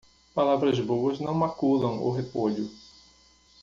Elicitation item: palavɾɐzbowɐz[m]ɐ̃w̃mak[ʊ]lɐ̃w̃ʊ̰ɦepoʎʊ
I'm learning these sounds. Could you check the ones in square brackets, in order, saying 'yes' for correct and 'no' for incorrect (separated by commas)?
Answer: no, no